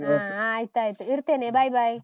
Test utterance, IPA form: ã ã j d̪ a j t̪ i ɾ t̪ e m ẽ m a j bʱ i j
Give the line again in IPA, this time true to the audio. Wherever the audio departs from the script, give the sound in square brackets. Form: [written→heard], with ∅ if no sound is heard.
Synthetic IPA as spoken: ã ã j [d̪→t̪] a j t̪ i ɾ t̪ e [m→n] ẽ [m→b] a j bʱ [i→a] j